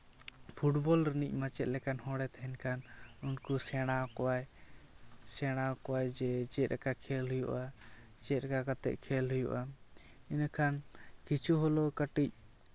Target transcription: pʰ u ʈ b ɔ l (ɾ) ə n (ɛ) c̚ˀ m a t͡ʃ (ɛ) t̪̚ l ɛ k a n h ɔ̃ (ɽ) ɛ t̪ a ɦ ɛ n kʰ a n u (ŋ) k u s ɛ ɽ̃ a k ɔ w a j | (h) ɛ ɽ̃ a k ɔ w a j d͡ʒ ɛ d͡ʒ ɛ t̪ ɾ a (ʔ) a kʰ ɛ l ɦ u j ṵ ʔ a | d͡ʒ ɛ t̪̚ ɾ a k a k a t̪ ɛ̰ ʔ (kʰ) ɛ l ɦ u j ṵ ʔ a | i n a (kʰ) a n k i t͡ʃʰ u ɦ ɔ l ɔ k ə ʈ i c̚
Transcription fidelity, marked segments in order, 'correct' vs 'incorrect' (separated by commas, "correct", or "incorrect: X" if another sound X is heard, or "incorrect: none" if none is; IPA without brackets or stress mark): correct, incorrect: i, correct, correct, incorrect: n, incorrect: s, incorrect: k, correct, correct